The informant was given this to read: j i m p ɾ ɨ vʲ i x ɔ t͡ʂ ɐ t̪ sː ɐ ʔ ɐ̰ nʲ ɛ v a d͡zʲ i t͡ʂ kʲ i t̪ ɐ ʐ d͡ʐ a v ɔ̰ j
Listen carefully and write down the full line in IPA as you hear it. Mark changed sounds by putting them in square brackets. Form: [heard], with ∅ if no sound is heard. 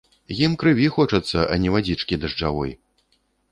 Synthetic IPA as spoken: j i m [k] ɾ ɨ vʲ i x ɔ t͡ʂ ɐ t̪ sː ɐ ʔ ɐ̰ nʲ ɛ v a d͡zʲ i t͡ʂ kʲ i [d̪] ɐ ʐ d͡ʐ a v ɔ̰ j